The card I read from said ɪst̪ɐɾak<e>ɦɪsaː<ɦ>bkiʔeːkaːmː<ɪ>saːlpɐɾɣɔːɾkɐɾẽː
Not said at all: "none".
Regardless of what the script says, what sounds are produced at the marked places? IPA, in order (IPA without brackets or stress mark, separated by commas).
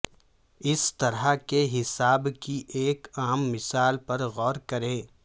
e, none, ɪ